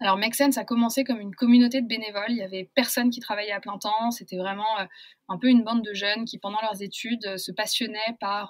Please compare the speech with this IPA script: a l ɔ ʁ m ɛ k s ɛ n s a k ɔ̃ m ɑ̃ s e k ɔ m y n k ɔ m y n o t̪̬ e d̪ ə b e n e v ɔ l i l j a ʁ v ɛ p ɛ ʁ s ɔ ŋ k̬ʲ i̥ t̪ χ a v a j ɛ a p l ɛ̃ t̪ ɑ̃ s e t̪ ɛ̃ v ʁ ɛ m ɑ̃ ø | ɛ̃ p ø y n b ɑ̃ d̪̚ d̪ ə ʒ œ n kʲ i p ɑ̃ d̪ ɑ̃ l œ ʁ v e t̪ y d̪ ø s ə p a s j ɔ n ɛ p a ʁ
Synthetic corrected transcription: a l ɔ ʁ m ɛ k s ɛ n s a k ɔ m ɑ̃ s e k ɔ m y n k ɔ m y n o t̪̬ e d̪ ə b e n e v ɔ l i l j a v ɛ p ɛ ʁ s ɔ n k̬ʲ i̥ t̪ χ a v a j ɛ a p l ɛ̃ t̪ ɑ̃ s e t̪ ɛ v ʁ ɛ m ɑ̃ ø | ɛ̃ p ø y n b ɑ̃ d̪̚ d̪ ə ʒ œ n kʲ i p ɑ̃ d̪ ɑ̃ l œ ʁ z e t̪ y d̪ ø s ə p a s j ɔ n ɛ p a ʁ